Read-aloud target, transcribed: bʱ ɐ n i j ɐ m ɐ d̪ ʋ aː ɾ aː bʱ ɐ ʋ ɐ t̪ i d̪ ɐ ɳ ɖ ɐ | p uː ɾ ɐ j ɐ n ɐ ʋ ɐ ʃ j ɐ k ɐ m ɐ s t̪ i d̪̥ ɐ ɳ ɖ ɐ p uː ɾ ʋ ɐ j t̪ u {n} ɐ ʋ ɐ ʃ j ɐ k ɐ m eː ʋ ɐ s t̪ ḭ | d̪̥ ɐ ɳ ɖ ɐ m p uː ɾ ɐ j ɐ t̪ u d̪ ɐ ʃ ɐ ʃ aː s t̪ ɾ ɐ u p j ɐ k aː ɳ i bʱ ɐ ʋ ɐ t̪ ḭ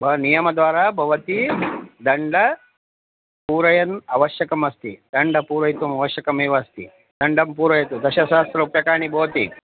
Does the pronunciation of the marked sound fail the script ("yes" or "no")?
yes